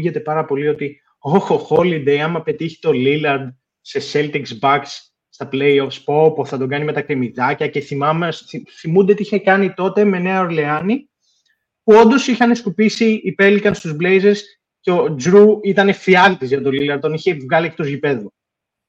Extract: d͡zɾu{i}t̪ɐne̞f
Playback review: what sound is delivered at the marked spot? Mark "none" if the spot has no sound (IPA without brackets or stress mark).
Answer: i